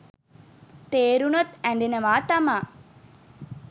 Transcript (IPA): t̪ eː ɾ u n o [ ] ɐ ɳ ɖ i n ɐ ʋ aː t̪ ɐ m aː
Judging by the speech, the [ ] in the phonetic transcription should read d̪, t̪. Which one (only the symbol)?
t̪